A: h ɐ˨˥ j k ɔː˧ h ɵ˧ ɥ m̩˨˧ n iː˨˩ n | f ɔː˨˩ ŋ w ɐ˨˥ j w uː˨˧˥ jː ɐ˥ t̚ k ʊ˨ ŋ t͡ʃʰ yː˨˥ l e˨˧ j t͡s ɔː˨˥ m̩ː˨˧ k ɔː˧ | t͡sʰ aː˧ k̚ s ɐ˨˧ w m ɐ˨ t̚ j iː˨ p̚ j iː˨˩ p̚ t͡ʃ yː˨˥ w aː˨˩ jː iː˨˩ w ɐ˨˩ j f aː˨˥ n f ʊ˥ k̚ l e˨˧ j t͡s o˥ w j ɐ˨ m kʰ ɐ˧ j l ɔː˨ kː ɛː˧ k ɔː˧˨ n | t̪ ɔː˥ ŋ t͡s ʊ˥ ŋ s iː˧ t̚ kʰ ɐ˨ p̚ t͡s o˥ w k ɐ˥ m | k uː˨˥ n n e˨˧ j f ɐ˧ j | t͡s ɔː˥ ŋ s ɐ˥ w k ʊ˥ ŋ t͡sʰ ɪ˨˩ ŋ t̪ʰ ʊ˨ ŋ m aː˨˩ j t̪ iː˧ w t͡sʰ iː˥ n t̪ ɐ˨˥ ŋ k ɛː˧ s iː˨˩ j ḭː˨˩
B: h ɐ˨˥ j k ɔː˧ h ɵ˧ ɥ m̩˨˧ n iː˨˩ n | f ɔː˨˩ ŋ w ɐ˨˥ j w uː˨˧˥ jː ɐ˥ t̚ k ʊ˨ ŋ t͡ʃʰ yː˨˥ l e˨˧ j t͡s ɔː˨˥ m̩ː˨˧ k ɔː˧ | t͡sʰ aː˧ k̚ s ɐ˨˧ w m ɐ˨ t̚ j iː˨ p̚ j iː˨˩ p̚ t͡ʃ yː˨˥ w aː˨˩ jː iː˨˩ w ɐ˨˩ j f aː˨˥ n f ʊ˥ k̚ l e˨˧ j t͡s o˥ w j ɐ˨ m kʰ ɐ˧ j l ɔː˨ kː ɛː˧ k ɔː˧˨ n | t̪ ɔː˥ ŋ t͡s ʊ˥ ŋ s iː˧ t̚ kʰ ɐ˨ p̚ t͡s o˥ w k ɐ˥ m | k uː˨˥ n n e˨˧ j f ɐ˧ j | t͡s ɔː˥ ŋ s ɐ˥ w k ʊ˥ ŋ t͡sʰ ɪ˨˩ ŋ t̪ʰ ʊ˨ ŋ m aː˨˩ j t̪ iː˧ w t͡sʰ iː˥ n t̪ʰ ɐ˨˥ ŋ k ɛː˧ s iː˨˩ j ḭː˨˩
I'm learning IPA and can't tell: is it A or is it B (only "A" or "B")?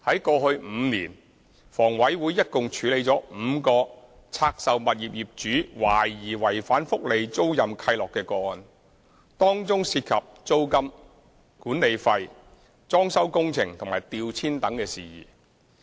A